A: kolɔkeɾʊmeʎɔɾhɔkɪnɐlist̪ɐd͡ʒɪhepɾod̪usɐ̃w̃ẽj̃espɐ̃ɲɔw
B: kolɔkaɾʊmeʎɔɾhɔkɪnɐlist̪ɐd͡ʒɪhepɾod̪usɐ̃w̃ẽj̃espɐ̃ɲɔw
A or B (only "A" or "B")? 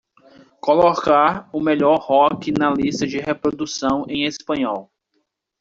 B